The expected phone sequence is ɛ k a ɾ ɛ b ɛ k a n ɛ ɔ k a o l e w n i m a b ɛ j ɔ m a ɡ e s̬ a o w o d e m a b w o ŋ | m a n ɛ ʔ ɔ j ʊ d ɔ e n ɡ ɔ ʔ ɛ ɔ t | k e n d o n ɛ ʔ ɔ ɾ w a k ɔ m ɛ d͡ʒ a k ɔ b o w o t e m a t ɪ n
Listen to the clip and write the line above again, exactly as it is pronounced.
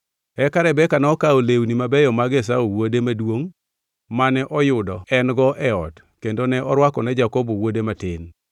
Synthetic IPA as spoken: ɛ k a ɾ ɛ b ɛ k a n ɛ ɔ k a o l e w n i m a b ɛ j ɔ m a ɡ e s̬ a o w o d e m a d w o ŋ | m a n ɛ ʔ ɔ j ʊ d ɔ ɛ n ɡ ɔ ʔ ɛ ɔ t | k e n d o n ɛ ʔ ɔ ɾ w a k ɔ n ɛ d͡ʒ a k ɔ b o w o d e m a t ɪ n